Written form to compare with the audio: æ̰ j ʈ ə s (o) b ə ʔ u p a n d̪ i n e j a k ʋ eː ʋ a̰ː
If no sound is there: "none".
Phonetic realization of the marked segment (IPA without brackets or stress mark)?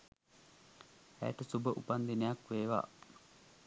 u